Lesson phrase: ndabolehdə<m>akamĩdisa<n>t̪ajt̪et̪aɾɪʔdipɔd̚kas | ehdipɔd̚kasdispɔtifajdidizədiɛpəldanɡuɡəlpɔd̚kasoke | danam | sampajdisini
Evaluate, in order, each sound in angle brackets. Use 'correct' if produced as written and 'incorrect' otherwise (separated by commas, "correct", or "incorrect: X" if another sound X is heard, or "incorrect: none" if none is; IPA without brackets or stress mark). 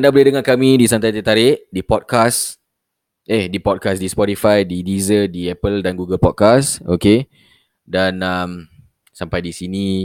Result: incorrect: ŋ, correct